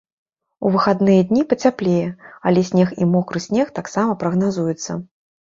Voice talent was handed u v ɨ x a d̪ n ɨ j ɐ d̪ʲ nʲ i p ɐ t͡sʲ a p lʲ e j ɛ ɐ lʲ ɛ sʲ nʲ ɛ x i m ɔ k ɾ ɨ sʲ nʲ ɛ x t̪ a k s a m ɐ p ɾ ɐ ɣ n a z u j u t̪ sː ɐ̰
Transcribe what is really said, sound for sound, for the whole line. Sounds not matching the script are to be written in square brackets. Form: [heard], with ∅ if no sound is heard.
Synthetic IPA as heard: u v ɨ x a d̪ n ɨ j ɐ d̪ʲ nʲ i p ɐ t͡sʲ a p lʲ e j ɛ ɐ lʲ ɛ sʲ nʲ ɛ x i m ɔ k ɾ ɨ sʲ nʲ ɛ x t̪ a k s a m ɐ p ɾ ɐ ɣ n a z u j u t̪ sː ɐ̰